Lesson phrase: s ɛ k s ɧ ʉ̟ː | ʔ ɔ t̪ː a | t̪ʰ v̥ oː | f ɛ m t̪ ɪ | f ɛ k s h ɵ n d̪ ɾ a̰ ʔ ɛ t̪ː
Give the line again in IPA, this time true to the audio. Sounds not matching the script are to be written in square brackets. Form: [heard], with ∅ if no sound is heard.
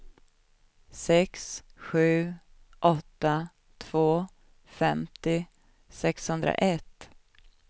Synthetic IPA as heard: s ɛ k s ɧ ʉ̟ː | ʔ ɔ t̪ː a | t̪ʰ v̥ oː | f ɛ m t̪ ɪ | [s] ɛ k s h ɵ n d̪ ɾ a̰ ʔ ɛ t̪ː